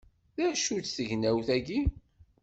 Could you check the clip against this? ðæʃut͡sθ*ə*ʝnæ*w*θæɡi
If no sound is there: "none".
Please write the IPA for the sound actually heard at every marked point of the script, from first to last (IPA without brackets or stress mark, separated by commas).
ə, w